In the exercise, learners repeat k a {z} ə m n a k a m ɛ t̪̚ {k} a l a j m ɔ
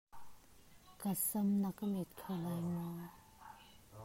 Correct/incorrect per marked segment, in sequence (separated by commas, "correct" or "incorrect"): incorrect, incorrect